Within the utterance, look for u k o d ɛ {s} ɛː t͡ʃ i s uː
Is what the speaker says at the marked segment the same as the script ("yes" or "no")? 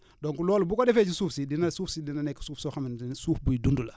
no